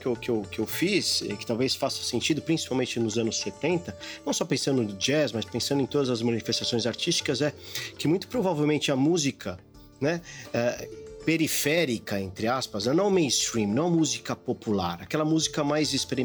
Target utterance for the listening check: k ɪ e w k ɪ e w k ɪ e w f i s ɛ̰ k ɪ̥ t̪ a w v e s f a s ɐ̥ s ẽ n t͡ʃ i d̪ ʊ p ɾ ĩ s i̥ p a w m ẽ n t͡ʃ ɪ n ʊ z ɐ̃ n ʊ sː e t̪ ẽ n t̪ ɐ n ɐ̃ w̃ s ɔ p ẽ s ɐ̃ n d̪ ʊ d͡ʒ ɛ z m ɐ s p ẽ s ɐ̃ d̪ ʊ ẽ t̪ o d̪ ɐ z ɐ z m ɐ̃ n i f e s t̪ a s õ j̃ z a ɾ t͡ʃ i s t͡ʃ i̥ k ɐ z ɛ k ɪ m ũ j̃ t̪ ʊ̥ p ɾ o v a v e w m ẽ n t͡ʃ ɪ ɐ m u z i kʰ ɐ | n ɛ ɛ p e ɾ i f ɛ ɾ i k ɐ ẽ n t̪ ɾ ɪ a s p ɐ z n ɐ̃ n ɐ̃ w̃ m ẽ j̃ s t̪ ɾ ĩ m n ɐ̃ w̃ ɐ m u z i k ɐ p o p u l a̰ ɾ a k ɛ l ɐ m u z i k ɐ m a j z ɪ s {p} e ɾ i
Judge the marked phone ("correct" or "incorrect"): correct